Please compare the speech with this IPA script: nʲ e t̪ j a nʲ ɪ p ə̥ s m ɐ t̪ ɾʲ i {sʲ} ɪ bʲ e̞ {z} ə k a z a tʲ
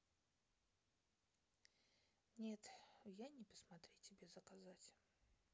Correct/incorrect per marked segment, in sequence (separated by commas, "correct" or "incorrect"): incorrect, correct